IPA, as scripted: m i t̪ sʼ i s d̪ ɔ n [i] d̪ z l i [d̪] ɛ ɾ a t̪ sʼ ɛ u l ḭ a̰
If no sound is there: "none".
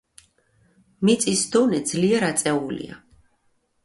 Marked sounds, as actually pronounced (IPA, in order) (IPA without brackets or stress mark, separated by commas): ɛ, none